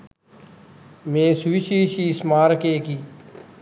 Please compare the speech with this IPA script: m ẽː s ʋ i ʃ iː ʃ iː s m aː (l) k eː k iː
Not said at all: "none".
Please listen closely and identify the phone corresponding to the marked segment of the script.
ɾ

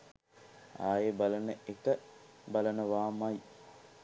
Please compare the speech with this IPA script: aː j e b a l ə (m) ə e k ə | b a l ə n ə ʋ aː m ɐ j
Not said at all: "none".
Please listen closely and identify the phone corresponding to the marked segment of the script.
n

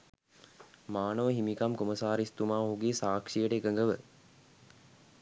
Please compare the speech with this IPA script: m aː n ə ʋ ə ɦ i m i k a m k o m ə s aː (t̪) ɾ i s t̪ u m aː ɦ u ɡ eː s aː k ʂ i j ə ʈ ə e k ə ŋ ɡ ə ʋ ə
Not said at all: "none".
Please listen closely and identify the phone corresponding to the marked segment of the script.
none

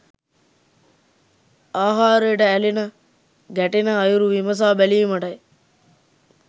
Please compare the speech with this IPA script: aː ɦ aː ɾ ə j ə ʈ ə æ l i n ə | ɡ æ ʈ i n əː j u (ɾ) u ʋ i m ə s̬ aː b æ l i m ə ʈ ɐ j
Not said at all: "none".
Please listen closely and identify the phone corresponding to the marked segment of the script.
ɾ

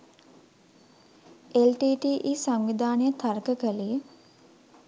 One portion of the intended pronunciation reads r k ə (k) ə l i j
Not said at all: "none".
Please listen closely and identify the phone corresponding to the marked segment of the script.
k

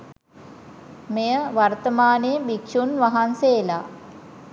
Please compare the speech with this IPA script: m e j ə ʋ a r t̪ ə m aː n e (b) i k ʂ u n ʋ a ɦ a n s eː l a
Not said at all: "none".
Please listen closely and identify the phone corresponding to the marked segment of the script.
b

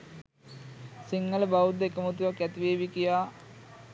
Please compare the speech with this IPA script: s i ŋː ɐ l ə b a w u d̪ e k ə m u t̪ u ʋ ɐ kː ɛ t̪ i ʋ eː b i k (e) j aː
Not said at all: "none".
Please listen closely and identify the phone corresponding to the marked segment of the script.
i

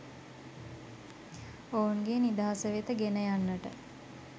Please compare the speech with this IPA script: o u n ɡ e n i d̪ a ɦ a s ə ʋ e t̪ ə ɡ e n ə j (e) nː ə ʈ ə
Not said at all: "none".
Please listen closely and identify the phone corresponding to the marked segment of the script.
a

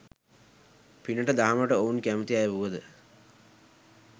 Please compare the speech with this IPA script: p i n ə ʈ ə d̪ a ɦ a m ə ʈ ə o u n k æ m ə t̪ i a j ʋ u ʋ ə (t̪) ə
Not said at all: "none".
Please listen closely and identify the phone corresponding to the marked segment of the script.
d̪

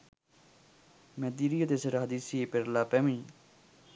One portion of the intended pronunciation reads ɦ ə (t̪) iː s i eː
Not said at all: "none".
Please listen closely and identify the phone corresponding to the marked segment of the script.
d̪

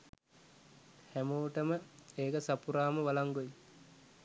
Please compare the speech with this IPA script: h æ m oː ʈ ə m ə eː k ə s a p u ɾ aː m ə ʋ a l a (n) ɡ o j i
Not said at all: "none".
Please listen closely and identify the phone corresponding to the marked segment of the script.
ŋ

